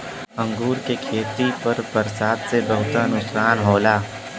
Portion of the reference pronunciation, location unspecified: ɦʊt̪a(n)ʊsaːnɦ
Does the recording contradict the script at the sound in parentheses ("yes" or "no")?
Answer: no